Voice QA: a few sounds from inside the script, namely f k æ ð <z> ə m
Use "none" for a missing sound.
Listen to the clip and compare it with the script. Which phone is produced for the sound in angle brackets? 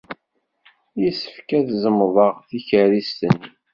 z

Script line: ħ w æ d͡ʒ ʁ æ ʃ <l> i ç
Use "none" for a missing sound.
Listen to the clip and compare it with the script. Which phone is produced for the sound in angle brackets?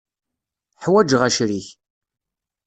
ɾ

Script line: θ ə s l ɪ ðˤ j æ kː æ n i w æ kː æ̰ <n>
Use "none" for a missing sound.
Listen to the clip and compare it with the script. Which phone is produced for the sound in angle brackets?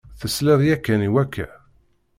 none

